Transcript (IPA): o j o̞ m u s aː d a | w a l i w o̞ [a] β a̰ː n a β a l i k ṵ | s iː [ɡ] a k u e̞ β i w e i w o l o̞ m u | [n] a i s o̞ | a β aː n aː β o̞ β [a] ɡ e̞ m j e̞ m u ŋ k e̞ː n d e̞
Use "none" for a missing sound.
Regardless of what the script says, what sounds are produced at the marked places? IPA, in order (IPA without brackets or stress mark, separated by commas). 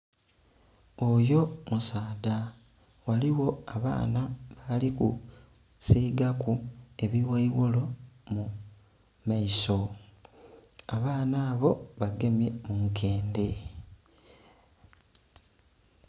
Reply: a, ɡ, m, a